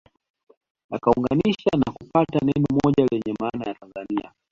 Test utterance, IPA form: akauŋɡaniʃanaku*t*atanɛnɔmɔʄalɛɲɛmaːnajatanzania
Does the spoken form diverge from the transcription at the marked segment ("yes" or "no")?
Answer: yes